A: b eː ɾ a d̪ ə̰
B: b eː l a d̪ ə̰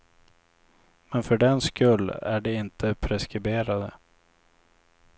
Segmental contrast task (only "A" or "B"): A